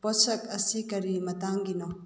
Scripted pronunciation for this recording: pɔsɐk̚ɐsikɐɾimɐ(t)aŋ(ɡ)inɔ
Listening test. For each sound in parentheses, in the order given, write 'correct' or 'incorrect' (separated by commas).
correct, correct